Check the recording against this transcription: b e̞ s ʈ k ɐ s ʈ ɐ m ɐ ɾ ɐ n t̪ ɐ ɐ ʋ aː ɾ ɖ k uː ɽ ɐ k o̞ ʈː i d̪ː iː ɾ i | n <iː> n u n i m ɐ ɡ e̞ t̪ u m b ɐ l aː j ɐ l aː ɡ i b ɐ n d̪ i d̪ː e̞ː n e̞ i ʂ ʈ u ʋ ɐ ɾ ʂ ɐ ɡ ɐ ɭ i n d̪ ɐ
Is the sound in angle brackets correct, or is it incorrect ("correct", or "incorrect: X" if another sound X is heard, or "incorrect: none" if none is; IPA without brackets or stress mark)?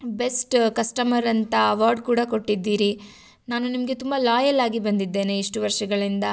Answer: incorrect: aː